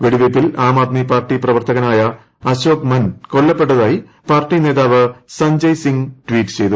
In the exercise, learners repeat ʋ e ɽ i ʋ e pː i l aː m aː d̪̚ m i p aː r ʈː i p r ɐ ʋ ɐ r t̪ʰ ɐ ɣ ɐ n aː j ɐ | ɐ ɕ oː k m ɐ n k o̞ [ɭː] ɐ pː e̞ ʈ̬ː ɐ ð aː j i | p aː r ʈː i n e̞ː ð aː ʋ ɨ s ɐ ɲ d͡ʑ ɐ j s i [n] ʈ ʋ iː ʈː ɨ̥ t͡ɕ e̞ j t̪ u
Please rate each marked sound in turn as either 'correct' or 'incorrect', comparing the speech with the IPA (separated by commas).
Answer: correct, incorrect